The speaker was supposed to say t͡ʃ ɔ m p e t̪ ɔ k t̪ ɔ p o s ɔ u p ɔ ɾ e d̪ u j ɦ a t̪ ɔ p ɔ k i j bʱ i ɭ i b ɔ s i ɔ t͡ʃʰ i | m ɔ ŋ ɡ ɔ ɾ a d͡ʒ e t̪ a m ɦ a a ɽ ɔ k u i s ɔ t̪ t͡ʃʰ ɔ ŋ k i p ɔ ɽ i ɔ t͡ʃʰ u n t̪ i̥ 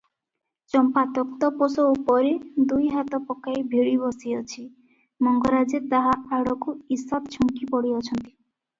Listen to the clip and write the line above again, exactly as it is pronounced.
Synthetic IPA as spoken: t͡ʃ ɔ m p a t̪ ɔ k t̪ ɔ p o s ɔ u p ɔ ɾ e d̪ u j ɦ a t̪ ɔ p ɔ k a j bʱ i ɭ i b ɔ s i ɔ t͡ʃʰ i | m ɔ ŋ ɡ ɔ ɾ a d͡ʒ e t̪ a ɦ a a ɽ ɔ k u i s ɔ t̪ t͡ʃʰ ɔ ŋ k i p ɔ ɽ i ɔ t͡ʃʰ ɔ n t̪ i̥